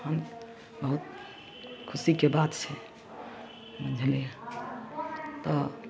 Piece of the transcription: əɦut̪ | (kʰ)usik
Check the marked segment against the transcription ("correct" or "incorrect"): correct